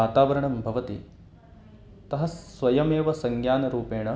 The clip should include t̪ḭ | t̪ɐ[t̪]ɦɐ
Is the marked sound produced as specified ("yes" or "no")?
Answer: no